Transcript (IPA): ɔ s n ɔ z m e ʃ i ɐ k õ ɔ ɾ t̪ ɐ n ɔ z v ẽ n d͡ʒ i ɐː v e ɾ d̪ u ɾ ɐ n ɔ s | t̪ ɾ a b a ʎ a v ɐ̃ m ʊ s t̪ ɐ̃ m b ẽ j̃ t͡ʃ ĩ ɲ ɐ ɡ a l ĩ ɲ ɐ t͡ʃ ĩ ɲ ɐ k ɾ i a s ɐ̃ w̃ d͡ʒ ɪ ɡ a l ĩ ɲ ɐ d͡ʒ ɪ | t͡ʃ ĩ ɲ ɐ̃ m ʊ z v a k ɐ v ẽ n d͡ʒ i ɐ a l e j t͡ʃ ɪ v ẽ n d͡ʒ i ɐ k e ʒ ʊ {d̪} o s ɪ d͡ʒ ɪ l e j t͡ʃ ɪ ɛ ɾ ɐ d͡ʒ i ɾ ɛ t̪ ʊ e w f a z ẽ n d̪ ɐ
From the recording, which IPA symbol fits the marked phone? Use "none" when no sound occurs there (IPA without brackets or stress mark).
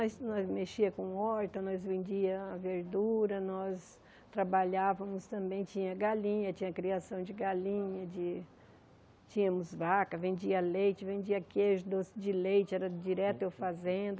d̪